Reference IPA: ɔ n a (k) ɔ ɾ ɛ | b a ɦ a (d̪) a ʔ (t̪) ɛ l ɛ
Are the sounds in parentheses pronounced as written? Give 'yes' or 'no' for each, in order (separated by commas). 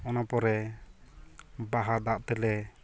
no, yes, yes